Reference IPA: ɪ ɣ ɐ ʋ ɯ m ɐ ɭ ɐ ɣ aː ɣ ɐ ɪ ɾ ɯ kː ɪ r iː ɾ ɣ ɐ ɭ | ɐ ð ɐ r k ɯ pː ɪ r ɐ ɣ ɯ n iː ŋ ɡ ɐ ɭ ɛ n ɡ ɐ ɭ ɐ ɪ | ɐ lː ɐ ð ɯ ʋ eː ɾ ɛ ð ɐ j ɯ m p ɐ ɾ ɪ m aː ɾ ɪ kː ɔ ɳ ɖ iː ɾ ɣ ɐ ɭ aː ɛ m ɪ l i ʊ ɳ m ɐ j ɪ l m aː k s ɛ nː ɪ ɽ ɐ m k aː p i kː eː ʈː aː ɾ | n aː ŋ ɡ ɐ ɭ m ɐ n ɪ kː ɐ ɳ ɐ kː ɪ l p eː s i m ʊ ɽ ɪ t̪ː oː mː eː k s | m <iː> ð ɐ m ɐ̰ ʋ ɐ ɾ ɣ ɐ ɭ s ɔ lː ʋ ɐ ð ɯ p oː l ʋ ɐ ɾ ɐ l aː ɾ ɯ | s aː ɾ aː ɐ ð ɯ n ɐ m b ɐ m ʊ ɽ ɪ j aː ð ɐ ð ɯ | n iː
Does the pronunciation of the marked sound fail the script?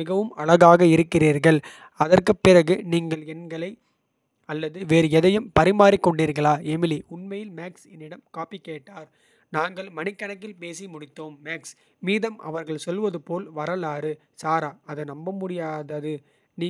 no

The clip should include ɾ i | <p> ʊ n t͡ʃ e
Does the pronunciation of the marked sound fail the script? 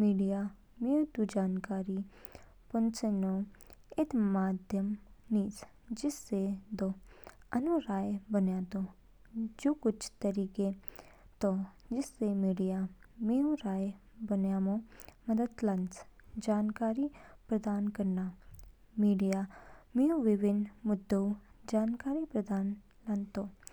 no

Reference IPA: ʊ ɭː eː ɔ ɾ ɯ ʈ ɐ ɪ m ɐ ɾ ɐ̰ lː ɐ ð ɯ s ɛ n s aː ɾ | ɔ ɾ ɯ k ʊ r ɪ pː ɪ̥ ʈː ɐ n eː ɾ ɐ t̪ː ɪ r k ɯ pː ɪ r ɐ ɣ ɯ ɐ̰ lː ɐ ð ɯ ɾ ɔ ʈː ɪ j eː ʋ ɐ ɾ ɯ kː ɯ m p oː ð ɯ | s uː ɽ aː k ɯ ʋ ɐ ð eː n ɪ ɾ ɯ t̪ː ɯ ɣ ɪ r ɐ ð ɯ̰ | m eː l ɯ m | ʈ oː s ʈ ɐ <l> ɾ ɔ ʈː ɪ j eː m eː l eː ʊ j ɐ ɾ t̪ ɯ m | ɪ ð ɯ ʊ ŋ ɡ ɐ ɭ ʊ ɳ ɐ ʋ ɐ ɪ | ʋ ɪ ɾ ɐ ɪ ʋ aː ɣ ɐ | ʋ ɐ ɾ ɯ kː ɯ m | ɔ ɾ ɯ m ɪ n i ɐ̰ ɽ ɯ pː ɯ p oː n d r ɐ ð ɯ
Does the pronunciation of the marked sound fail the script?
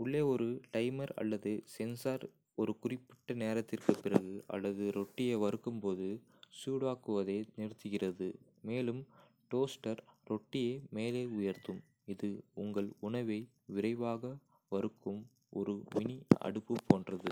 yes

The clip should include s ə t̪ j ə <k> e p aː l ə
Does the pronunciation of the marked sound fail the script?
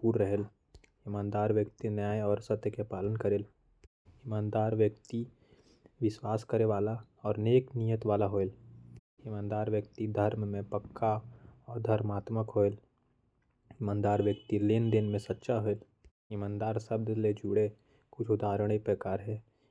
no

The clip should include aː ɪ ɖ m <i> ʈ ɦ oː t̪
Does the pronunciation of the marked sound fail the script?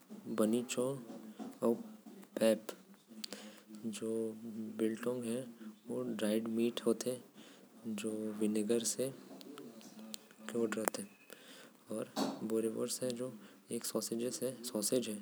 yes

